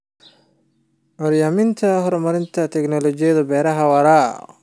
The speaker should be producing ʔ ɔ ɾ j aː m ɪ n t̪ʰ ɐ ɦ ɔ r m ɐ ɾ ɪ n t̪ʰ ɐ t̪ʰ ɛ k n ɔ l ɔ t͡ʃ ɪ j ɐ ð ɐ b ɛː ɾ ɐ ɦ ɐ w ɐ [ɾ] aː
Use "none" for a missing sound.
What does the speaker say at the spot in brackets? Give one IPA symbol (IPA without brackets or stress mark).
ɾ